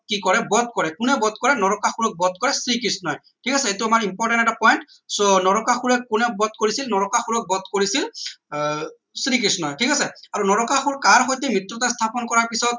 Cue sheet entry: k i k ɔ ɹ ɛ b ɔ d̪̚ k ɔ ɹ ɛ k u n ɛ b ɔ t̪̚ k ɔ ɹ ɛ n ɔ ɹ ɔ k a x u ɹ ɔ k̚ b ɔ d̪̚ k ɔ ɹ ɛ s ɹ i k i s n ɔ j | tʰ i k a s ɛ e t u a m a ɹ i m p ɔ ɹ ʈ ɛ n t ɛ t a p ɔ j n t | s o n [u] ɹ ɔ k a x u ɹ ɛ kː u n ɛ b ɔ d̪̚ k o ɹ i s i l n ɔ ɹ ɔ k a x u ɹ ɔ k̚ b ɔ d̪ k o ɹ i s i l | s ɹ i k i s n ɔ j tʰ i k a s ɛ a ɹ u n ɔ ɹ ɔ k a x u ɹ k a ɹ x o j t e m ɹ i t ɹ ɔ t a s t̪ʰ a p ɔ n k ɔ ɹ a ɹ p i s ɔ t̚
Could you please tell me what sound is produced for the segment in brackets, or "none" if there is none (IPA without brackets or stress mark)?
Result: ɔ